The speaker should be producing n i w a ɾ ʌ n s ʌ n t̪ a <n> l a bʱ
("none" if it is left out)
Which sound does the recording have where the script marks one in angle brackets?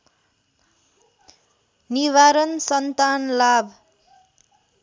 n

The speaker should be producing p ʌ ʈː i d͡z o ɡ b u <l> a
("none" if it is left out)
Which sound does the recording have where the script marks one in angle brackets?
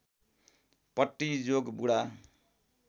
ɽ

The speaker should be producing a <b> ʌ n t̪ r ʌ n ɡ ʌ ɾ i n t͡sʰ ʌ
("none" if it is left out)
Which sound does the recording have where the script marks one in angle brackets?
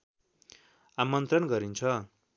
m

